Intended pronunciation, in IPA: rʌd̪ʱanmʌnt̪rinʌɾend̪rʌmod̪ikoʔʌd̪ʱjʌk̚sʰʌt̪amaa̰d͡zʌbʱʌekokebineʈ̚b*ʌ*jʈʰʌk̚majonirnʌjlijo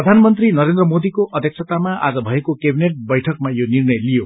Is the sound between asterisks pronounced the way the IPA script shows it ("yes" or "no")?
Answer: yes